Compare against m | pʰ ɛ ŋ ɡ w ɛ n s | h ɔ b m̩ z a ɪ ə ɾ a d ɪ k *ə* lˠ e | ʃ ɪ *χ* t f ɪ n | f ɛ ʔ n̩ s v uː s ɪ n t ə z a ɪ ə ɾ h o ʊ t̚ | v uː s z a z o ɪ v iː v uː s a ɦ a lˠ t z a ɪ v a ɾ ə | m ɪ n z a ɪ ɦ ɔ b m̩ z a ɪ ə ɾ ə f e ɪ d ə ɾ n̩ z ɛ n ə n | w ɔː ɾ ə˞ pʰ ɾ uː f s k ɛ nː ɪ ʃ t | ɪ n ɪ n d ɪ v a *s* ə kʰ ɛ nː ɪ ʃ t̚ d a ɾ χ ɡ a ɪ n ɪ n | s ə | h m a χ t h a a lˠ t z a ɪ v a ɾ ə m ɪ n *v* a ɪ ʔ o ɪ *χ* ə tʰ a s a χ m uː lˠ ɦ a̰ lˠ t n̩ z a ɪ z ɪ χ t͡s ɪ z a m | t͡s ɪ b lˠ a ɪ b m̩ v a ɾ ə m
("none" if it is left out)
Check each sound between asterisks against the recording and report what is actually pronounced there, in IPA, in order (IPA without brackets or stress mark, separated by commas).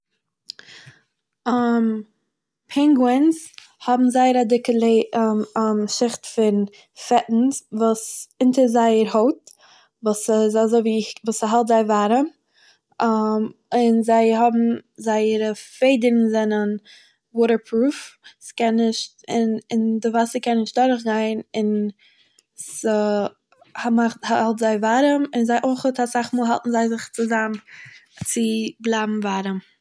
ə, χ, s, z, χ